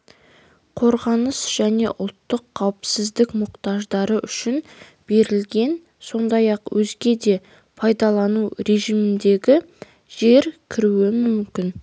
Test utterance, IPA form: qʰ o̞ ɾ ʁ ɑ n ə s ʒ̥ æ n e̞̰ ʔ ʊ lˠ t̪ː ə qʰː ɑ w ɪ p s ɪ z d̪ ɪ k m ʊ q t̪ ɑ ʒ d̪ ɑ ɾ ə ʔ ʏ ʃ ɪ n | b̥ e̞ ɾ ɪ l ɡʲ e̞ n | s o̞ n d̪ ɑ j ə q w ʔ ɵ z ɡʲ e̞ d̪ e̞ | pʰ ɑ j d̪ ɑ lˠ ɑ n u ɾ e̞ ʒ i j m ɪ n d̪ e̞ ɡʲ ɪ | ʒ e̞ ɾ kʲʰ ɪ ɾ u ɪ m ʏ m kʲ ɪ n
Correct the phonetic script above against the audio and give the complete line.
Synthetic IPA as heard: qʰ o̞ ɾ ʁ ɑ n ə s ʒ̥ æ n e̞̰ ʔ ʊ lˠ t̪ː ə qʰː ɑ w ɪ p s ɪ z d̪ ɪ k m ʊ q t̪ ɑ ʒ d̪ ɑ ɾ ə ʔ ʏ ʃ ɪ n | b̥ e̞ ɾ ɪ l ɡʲ e̞ n | s o̞ n d̪ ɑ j ɑ q w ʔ ɵ z ɡʲ e̞ d̪ e̞ | pʰ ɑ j d̪ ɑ lˠ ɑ n u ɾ e̞ ʒ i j m ɪ n d̪ e̞ ɡʲ ɪ | ʒ e̞ ɾ kʲʰ ɪ ɾ u ɪ m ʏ m kʲ ɪ n